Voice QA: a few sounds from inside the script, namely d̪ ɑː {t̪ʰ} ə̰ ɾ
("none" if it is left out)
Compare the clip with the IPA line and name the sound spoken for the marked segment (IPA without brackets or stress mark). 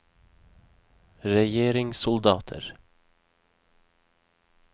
t̪ʰ